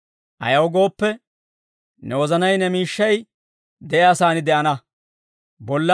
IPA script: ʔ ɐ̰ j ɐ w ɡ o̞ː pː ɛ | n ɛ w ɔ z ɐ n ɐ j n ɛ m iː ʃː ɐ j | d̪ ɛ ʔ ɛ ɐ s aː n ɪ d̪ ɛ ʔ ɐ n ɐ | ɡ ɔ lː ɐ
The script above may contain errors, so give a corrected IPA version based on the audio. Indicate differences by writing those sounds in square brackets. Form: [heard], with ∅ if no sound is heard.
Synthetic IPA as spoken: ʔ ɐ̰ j ɐ w ɡ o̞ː pː ɛ | n ɛ w ɔ z ɐ n ɐ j n ɛ m iː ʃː ɐ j | d̪ ɛ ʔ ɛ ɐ s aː n ɪ d̪ ɛ ʔ ɐ n ɐ | [b] ɔ lː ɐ